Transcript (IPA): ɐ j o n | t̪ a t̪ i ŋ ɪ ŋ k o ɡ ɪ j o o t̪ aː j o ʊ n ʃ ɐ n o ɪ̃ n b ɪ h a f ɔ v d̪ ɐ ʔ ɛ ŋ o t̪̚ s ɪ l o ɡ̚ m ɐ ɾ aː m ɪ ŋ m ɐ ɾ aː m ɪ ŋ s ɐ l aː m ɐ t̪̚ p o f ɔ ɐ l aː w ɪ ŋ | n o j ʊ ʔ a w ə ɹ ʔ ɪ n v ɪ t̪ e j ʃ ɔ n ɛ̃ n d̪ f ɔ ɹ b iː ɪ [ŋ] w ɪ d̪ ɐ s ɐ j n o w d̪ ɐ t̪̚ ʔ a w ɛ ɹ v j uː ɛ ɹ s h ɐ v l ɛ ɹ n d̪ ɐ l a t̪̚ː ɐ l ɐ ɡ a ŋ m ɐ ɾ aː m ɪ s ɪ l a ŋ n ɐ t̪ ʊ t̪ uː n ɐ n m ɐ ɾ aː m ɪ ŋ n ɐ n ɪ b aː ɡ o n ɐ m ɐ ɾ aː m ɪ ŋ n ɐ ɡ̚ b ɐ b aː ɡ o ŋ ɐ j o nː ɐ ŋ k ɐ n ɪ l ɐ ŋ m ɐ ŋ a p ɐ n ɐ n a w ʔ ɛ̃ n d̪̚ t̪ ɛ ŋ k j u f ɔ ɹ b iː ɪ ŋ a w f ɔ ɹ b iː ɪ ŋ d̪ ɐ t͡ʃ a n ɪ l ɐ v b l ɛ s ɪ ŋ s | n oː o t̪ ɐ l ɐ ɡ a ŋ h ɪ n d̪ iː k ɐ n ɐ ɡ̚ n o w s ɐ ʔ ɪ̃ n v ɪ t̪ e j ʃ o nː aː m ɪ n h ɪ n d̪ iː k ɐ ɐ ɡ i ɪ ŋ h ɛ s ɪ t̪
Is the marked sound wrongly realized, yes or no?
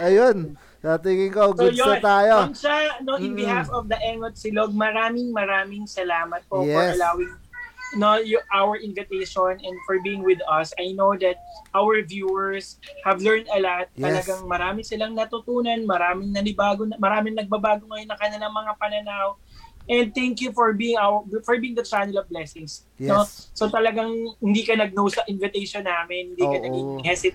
no